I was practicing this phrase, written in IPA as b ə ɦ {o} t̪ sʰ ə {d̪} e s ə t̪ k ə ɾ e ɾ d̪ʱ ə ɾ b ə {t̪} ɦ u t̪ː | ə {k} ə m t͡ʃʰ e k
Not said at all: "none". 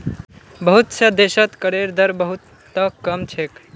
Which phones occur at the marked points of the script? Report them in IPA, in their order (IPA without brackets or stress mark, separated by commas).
u, d̪, none, k